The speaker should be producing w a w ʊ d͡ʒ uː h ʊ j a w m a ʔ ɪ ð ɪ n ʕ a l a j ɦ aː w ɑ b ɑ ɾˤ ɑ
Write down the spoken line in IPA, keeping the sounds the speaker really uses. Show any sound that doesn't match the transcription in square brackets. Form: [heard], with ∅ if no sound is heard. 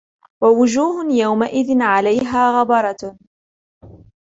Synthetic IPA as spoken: w a w ʊ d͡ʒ uː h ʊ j a w m a ʔ ɪ ð ɪ n ʕ a l a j ɦ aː [ɣ] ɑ b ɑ ɾˤ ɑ